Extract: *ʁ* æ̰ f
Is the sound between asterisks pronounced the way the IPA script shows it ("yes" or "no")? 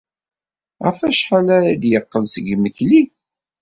yes